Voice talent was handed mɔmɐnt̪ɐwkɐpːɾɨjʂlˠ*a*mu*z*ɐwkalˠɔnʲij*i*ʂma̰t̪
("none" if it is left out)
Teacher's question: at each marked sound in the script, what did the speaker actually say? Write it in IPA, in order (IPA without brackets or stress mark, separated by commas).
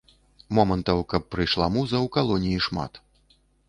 a, z, i